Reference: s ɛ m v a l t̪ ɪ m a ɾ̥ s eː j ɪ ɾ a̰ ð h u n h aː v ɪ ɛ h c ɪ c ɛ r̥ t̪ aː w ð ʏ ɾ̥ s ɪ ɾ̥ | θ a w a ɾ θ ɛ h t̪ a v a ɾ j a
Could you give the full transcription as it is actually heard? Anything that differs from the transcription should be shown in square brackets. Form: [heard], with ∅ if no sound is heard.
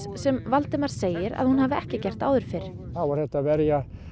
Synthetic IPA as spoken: s ɛ m v a l t̪ ɪ m a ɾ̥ s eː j ɪ ɾ a̰ ð h u n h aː v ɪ ɛ h c ɪ c ɛ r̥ t̪ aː w ð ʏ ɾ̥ [f] ɪ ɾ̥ | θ a w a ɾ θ ɛ h t̪ a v [ɛ] ɾ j a